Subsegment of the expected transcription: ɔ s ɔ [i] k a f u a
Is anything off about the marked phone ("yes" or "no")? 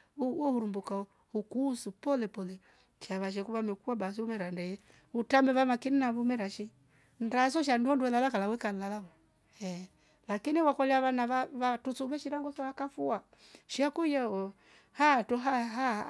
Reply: yes